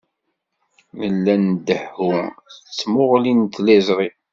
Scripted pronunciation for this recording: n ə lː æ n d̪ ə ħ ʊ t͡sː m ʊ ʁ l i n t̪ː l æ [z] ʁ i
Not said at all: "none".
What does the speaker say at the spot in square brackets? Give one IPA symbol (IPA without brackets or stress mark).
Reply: z